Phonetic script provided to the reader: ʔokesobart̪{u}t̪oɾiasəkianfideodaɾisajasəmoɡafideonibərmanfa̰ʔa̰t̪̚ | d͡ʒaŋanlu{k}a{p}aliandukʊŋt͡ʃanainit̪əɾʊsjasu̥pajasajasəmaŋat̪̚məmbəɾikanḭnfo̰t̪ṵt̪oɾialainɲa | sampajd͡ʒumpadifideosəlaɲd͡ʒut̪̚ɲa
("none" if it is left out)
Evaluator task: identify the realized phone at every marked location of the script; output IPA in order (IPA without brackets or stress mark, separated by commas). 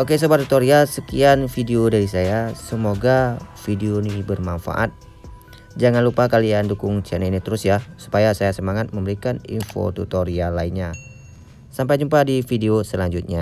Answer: u, p, k